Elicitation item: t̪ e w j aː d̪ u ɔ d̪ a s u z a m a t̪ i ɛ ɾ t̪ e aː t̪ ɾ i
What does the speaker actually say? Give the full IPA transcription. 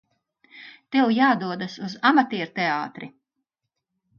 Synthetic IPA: t̪ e w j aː d̪ u ɔ d̪ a s u z a m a t̪ i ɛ ɾ t̪ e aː t̪ ɾ i